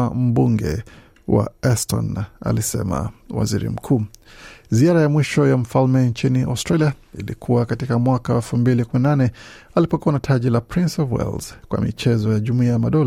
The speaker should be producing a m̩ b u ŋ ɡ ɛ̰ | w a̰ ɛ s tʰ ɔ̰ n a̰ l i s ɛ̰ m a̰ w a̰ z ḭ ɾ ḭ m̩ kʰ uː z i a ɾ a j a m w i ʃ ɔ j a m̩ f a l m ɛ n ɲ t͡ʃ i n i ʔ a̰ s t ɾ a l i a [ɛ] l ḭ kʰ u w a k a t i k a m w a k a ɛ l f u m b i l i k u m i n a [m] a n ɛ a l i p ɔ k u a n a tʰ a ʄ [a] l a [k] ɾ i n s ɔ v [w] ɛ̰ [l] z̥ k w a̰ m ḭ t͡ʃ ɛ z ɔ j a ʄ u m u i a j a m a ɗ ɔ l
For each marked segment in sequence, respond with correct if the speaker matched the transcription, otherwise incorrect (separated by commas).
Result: incorrect, incorrect, incorrect, incorrect, correct, correct